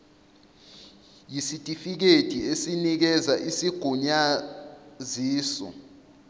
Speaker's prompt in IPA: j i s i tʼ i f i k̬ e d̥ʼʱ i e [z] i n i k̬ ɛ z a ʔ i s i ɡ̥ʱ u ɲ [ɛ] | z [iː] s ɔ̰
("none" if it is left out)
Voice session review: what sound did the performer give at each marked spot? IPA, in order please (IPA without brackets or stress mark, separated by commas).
s, a, iː